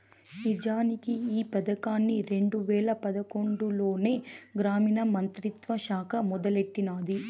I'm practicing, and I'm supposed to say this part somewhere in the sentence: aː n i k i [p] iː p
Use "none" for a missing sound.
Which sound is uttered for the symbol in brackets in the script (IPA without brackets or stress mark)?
none